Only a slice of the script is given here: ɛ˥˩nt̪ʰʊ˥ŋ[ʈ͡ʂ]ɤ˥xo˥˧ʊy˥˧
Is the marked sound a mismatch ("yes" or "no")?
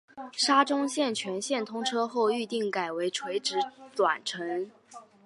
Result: yes